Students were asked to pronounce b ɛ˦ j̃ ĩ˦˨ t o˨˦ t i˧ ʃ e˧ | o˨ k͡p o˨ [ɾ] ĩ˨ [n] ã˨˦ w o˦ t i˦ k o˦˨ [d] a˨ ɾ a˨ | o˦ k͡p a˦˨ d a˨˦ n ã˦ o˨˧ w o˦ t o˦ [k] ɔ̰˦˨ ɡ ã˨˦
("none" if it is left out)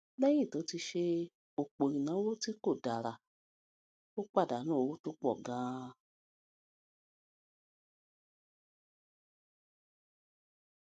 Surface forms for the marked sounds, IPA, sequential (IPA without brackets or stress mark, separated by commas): ɾ, n, d, k͡p